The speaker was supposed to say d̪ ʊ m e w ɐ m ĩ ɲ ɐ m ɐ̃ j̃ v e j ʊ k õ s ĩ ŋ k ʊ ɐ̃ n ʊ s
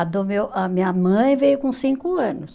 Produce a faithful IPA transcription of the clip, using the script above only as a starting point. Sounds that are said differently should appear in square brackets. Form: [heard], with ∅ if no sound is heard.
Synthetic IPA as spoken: d̪ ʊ m e w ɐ m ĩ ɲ ɐ m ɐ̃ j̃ v e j ʊ k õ s ĩ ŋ k ʊ ɐ̃ n ʊ s